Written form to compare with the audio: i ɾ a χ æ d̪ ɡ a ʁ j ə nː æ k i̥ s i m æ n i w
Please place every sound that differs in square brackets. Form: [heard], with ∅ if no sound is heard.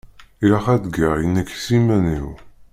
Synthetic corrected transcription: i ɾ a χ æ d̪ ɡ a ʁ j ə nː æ k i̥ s i m æ n i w